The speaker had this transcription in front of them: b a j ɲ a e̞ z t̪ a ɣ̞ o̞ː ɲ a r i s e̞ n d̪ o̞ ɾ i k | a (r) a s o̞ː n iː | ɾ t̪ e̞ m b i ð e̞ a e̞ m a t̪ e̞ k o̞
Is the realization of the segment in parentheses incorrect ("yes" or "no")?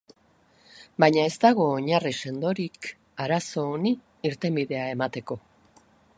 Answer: yes